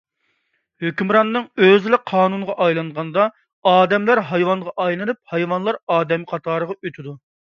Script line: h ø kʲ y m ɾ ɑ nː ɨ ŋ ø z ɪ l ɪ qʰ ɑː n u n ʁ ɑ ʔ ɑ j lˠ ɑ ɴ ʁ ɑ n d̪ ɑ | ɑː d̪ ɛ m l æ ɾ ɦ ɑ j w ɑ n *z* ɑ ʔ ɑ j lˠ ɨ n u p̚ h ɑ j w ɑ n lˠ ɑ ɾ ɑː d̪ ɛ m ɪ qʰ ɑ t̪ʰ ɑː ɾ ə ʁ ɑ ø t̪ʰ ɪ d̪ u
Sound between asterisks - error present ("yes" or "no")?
yes